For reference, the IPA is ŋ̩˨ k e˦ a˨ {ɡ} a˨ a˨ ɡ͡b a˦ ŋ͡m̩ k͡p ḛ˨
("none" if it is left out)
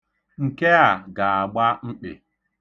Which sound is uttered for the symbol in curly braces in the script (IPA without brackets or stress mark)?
ɡ